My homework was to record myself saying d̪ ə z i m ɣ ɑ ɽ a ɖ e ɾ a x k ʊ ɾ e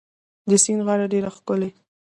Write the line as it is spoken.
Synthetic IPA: d̪ ə s i n ɣ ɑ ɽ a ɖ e ɾ a x k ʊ l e